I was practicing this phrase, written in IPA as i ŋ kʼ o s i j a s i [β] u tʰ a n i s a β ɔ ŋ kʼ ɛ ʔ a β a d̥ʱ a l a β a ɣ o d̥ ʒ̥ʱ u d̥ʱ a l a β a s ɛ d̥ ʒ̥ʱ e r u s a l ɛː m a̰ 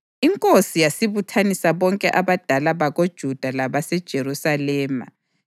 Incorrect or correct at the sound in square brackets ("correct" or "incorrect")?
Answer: correct